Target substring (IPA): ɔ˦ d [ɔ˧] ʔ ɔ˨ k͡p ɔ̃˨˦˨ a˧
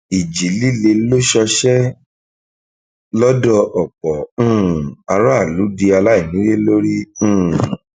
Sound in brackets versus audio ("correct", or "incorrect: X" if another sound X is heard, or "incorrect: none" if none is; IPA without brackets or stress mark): correct